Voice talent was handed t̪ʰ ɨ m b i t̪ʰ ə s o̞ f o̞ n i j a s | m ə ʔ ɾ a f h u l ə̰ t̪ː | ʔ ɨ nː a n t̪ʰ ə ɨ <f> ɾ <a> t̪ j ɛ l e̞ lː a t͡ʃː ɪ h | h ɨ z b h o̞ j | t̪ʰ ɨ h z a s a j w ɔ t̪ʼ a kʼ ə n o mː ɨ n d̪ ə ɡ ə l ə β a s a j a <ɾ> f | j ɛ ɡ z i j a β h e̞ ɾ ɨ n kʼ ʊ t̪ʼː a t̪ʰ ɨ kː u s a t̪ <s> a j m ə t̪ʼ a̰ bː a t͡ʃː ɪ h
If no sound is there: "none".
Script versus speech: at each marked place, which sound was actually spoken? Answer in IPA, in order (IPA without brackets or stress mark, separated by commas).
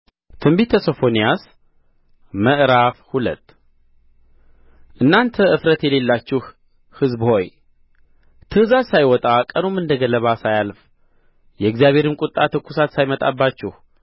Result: f, ə, l, s